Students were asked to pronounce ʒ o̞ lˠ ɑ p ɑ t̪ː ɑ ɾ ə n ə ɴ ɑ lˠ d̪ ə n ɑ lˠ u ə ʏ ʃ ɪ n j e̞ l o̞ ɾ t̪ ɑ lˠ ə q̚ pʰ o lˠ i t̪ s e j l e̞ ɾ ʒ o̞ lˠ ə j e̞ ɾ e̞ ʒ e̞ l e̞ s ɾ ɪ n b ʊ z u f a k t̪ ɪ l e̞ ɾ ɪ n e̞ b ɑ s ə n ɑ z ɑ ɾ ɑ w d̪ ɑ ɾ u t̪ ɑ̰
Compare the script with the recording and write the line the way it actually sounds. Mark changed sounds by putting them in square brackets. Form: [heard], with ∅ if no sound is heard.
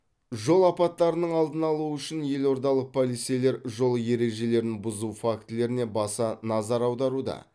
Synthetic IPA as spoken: ʒ o̞ lˠ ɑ p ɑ t̪ː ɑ ɾ ə n ə ɴ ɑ lˠ d̪ ə n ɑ lˠ u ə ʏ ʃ ɪ n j e̞ l o̞ ɾ [d̪] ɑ lˠ ə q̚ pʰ o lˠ i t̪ s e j l e̞ ɾ ʒ o̞ lˠ ə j e̞ ɾ e̞ ʒ e̞ l e̞ [∅] ɾ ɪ n b ʊ z u f a k t̪ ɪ l e̞ ɾ ɪ n e̞ b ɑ s [ɑ] n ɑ z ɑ ɾ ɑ w d̪ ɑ ɾ u [d̪] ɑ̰

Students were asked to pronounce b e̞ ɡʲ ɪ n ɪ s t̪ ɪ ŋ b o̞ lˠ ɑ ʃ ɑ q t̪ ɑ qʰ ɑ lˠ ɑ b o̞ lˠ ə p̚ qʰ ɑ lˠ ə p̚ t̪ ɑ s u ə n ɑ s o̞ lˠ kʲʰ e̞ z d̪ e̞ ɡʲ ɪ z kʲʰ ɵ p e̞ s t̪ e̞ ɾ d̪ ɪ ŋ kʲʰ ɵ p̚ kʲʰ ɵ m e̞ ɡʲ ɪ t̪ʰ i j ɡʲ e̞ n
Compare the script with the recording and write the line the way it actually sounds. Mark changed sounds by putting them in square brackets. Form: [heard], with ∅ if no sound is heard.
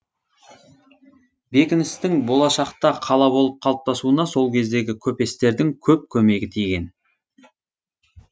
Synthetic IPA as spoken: b e̞ [kʲ] ɪ n ɪ s t̪ ɪ ŋ b o̞ lˠ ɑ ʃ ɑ q t̪ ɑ qʰ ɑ lˠ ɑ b o̞ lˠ ə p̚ qʰ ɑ lˠ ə p̚ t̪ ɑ s u ə n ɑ s o̞ lˠ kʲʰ e̞ z d̪ e̞ ɡʲ ɪ [∅] kʲʰ ɵ p e̞ s t̪ e̞ ɾ d̪ ɪ ŋ kʲʰ ɵ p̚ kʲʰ ɵ m e̞ ɡʲ ɪ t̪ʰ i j ɡʲ e̞ n

